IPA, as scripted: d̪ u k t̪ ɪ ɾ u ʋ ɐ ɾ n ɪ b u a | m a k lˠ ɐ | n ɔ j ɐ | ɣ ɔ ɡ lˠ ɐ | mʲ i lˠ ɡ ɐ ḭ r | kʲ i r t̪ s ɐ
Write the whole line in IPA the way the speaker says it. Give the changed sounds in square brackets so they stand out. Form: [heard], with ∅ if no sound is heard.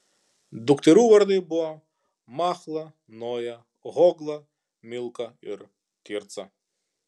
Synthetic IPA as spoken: d̪ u k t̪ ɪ ɾ u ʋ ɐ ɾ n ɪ b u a | m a [x] lˠ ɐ | n ɔ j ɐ | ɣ ɔ ɡ lˠ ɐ | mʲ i lˠ [k] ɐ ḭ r | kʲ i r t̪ s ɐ